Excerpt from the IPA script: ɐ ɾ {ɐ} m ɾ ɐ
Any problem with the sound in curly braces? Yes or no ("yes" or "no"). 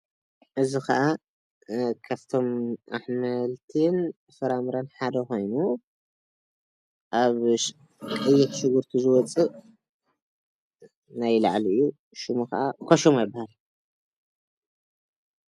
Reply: yes